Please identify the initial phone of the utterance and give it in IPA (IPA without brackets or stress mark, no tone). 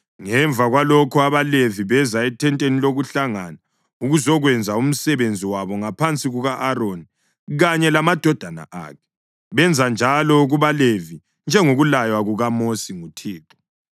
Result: ŋ